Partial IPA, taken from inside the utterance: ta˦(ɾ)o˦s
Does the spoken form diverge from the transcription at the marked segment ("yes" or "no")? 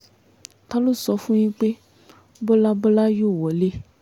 yes